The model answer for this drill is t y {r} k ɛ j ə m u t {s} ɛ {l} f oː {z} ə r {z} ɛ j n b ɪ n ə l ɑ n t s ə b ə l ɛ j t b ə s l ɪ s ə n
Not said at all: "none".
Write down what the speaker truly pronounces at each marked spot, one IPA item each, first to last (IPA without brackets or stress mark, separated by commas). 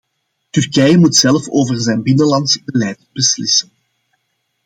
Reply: r, s, l, v, z